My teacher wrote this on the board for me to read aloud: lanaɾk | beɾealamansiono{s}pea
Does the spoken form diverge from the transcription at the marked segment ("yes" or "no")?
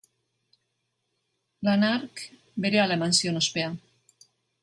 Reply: no